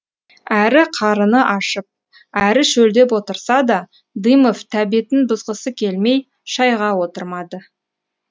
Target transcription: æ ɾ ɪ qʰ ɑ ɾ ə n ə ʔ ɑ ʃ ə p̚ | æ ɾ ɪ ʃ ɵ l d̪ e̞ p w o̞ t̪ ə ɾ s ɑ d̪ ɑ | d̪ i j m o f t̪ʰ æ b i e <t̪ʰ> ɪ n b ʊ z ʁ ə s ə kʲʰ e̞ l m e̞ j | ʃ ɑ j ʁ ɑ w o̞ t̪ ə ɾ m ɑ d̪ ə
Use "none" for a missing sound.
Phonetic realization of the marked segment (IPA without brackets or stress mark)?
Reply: t̪